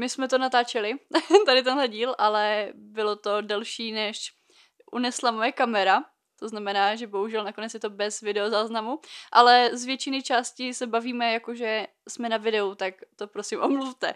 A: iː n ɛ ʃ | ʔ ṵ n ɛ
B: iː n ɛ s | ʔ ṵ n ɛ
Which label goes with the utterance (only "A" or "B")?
A